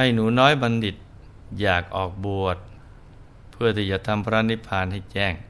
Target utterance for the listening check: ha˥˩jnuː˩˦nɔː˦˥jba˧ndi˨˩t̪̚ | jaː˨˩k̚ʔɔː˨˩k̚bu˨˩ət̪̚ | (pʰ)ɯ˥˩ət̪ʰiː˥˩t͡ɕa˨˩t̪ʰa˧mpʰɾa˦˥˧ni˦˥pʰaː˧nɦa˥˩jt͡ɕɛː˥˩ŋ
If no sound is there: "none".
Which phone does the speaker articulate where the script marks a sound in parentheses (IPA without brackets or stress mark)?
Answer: pʰ